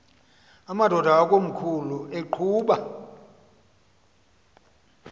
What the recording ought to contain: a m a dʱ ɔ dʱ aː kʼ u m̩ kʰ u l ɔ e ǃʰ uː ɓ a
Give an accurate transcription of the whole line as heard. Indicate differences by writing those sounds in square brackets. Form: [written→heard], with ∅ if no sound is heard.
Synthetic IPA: a m a dʱ ɔ dʱ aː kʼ [u→o] m̩ kʰ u l [ɔ→u] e ǃʰ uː ɓ a